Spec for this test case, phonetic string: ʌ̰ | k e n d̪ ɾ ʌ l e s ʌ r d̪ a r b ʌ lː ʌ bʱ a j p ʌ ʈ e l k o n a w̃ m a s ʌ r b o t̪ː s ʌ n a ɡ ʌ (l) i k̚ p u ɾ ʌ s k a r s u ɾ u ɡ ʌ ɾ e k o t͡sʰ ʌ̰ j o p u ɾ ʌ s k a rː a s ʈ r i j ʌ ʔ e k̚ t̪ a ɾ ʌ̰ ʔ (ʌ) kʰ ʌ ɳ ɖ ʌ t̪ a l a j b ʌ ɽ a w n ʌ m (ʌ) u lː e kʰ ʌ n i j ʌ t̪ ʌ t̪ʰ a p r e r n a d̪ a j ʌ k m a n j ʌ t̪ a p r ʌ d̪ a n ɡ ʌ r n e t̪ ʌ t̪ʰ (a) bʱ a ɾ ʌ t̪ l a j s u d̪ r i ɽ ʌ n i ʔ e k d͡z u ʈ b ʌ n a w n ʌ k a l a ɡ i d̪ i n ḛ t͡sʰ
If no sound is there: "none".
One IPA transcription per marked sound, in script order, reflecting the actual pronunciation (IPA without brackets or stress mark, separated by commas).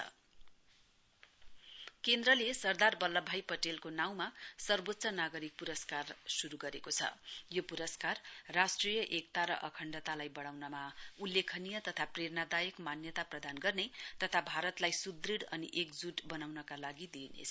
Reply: ɾ, ʌ, a, a